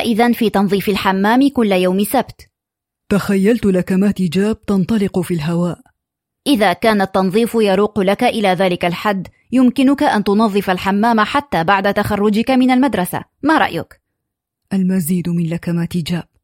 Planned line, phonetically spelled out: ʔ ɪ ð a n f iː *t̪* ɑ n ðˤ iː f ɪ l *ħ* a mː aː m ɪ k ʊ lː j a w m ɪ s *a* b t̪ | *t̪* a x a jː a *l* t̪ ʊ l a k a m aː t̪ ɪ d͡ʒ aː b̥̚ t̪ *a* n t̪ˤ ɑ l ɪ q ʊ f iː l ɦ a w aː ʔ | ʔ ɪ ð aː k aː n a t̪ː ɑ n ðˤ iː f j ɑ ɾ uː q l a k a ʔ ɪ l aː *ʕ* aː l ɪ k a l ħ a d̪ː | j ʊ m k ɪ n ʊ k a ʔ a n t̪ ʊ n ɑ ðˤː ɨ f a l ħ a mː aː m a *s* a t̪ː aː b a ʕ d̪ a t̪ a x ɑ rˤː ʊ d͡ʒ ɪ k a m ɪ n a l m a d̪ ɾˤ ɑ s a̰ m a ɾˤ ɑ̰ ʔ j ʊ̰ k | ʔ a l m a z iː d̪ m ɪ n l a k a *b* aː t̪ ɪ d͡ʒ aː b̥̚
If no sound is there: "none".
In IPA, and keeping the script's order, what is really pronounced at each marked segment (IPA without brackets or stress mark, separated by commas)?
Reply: t̪, ħ, a, t̪, l, ɑ, ð, ħ, m